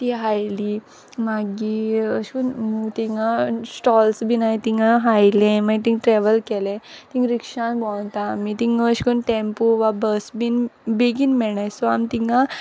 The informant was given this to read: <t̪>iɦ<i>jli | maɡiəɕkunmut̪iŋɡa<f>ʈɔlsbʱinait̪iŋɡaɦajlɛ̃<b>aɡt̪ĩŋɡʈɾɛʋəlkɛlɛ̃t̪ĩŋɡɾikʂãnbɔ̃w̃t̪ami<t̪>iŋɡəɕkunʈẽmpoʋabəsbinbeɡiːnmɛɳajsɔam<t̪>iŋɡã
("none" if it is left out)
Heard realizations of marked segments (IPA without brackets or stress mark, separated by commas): t̪, a, s, m, t̪, t̪